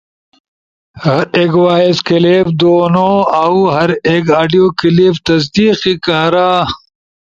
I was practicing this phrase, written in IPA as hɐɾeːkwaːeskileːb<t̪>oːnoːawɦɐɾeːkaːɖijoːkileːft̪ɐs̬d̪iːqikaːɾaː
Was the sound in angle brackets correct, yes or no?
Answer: no